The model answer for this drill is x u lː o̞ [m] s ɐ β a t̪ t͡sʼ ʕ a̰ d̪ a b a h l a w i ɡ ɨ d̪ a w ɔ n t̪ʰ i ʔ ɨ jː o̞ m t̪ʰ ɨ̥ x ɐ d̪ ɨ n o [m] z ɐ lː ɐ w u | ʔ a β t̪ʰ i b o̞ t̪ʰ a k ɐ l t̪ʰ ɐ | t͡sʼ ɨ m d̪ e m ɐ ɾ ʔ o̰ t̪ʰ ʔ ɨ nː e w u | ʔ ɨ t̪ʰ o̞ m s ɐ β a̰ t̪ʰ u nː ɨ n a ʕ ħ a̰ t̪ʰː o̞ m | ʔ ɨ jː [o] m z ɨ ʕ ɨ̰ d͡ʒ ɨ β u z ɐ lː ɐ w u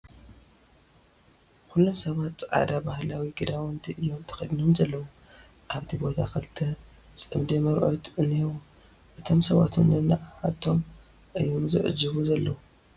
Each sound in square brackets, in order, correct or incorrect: correct, correct, correct

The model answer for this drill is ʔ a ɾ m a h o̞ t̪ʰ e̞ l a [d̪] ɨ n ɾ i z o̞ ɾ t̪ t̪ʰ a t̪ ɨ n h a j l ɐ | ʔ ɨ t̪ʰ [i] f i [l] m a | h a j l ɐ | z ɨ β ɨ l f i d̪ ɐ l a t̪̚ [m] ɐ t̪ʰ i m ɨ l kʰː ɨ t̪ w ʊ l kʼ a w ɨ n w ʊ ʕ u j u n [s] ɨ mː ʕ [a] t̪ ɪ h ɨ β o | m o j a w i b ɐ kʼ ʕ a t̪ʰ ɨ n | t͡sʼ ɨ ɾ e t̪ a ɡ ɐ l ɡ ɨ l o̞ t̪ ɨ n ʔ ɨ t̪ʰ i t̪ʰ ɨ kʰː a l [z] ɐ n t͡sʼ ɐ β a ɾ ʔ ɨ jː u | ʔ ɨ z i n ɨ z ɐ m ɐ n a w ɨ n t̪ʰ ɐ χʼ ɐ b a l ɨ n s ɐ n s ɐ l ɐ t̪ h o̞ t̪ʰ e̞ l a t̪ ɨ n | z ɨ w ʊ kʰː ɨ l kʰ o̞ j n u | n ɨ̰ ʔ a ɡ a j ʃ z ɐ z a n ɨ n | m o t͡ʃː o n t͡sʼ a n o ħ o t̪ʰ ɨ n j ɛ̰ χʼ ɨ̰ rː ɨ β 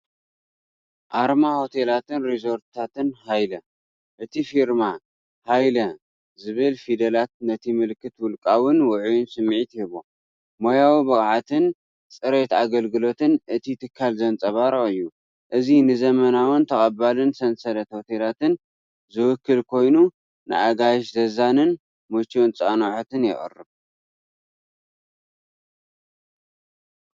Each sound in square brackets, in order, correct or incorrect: incorrect: t̪, correct, incorrect: ɾ, incorrect: n, correct, incorrect: i, correct

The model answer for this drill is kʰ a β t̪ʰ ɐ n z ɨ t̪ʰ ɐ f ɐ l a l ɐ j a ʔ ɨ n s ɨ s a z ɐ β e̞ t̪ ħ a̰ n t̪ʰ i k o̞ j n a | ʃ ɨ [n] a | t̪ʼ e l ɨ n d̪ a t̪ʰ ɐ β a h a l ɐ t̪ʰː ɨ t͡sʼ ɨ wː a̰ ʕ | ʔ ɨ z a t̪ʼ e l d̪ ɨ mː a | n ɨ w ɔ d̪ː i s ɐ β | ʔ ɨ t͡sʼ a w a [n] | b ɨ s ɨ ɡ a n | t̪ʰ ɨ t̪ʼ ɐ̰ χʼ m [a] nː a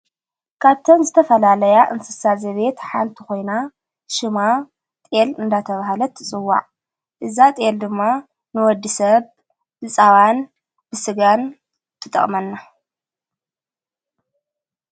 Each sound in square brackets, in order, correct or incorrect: incorrect: m, correct, incorrect: ɐ

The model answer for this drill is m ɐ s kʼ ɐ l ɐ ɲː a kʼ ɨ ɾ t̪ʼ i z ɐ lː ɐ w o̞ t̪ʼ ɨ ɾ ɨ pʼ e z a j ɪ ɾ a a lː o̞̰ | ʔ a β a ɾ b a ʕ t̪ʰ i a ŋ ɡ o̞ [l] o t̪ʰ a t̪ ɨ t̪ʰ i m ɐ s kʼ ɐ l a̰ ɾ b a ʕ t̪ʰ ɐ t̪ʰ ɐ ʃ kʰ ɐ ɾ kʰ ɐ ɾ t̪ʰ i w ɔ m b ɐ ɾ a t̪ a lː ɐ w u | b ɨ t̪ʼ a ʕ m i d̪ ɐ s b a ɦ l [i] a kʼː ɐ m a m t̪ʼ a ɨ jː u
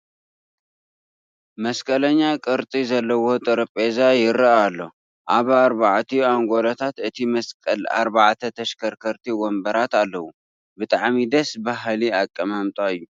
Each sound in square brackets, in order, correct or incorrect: correct, correct

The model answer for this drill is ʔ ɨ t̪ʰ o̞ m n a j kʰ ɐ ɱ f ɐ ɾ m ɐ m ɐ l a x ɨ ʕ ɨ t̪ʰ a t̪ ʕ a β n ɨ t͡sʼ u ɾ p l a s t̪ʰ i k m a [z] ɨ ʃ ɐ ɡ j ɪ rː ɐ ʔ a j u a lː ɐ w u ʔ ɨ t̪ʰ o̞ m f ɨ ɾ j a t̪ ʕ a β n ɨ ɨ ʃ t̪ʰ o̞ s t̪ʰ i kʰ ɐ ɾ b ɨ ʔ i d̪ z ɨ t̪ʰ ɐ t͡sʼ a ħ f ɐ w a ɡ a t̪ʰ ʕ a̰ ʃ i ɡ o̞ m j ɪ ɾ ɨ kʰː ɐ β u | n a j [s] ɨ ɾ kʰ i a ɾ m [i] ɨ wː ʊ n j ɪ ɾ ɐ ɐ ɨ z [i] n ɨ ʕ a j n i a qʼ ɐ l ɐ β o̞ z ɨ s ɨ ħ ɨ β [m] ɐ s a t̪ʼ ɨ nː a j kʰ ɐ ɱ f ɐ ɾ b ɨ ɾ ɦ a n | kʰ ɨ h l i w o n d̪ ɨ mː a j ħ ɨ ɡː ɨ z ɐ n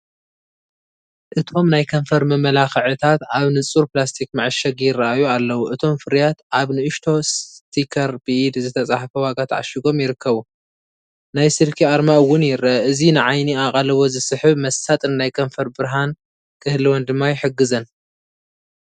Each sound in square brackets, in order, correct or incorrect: incorrect: ʕ, correct, incorrect: a, correct, correct

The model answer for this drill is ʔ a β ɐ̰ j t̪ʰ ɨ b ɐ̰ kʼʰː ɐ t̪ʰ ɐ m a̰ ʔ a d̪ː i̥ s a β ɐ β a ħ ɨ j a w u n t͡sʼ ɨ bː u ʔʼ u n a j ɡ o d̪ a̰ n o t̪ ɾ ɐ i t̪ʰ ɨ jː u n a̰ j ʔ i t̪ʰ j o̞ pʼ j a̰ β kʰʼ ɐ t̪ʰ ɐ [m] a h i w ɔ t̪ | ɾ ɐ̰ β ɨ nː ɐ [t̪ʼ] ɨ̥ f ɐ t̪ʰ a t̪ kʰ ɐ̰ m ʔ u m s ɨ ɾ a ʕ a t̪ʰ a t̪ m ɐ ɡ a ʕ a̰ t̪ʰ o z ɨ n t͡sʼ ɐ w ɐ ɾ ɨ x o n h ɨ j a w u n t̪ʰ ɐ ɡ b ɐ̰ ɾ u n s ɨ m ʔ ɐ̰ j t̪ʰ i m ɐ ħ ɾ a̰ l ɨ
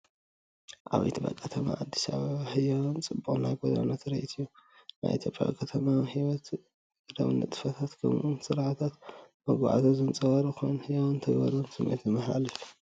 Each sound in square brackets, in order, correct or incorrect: correct, correct

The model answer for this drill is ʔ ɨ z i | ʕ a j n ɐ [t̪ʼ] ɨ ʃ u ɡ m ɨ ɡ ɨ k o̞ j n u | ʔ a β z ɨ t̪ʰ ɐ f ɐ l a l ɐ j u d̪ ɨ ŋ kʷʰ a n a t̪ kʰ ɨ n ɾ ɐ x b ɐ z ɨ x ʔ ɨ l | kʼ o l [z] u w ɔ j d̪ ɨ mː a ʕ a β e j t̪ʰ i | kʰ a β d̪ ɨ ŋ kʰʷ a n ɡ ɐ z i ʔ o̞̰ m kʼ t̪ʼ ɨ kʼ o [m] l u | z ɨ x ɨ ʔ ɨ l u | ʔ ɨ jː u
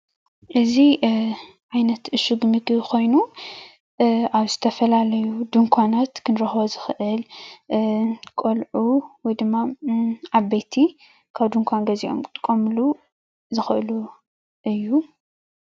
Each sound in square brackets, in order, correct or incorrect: incorrect: t̪, incorrect: ʕ, correct

